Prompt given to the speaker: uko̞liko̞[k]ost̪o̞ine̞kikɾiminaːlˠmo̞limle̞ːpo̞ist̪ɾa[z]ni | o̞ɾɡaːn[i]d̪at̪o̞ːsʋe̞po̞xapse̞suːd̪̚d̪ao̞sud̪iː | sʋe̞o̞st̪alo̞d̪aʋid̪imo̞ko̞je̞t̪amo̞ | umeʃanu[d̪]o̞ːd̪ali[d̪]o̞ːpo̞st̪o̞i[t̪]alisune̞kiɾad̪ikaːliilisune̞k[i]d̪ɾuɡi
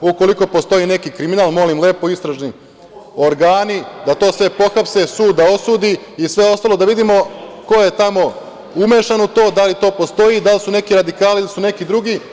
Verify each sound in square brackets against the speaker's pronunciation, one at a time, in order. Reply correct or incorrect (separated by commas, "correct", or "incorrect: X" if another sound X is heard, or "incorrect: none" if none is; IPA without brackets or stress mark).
incorrect: p, incorrect: ʒ, correct, incorrect: t̪, incorrect: t̪, incorrect: d̪, correct